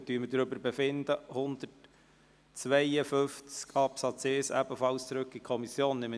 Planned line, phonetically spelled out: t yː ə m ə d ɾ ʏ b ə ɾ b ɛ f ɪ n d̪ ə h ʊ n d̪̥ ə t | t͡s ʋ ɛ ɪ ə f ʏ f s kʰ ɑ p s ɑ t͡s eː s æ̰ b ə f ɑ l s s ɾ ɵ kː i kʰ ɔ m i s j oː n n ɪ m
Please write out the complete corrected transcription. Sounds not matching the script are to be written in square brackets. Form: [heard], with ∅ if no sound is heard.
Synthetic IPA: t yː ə m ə d ɾ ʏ b ə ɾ b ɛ f ɪ n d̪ ə h ʊ n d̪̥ ə t | t͡s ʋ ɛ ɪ ə f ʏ f [t͡s] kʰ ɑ p s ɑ t͡s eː s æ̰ b ə f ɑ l s [t͡s] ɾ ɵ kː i kʰ ɔ m i s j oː n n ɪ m